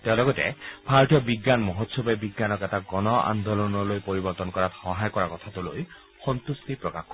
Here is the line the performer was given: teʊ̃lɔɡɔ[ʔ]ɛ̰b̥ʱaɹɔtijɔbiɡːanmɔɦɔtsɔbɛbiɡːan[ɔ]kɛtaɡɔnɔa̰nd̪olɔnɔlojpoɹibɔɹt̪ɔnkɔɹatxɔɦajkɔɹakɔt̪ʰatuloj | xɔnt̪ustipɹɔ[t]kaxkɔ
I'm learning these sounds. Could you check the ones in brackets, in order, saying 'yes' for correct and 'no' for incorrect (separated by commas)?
no, yes, no